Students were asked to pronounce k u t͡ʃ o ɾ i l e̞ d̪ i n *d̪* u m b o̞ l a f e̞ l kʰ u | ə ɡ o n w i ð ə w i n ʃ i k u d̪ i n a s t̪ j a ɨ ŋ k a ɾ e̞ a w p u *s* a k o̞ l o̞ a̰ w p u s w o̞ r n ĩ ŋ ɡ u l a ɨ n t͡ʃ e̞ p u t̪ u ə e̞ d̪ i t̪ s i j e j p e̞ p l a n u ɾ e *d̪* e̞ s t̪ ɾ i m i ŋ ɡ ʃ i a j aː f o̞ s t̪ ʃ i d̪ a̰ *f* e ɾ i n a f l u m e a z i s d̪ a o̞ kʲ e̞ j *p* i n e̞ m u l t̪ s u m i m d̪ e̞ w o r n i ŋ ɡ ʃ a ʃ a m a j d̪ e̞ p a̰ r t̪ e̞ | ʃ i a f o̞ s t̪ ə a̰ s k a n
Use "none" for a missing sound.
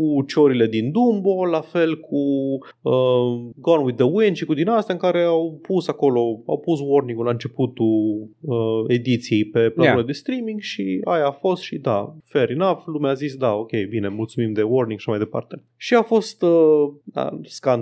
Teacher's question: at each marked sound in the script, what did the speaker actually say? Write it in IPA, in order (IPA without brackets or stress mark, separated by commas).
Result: d̪, s, d̪, f, b